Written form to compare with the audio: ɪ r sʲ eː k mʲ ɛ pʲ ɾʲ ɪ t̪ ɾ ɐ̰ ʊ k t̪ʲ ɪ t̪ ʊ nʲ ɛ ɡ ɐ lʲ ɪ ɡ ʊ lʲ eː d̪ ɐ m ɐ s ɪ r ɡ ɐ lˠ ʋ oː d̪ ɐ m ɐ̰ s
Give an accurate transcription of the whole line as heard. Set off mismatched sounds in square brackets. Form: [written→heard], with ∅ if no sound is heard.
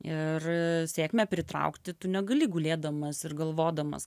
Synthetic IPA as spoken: ɪ r sʲ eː k mʲ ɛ pʲ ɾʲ ɪ t̪ ɾ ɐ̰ ʊ k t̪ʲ ɪ t̪ ʊ nʲ ɛ ɡ ɐ lʲ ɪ ɡ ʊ lʲ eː d̪ ɐ m ɐ s ɪ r ɡ ɐ lˠ ʋ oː d̪ ɐ m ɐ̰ s